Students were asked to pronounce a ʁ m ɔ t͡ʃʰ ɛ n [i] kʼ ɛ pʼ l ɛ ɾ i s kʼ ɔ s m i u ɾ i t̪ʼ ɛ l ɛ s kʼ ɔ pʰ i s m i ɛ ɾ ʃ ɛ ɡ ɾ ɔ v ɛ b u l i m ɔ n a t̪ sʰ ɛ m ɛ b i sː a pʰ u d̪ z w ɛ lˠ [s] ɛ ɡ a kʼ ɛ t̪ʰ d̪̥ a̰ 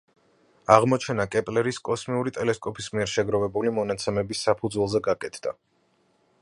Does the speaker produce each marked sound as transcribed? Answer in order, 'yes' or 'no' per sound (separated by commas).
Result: no, no